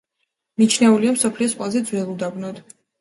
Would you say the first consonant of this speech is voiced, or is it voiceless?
voiced